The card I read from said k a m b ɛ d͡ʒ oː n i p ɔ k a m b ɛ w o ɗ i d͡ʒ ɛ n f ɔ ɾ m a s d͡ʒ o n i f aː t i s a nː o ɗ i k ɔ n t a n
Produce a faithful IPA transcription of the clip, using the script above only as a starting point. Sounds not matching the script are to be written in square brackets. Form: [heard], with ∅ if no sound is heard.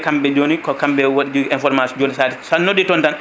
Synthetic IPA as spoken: k a m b ɛ d͡ʒ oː n i [k] ɔ k a m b ɛ w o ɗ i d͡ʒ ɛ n f ɔ ɾ m a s d͡ʒ o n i [s] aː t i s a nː o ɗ i [t] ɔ n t a n